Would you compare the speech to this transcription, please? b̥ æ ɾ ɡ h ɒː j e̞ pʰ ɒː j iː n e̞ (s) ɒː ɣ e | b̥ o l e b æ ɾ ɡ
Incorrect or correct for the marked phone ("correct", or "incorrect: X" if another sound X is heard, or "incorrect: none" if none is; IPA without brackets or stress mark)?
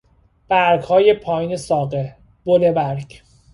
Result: correct